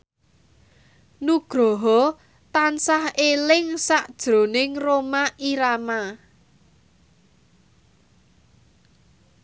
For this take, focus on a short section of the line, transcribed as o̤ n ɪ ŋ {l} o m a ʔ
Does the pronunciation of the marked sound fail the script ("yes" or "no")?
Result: yes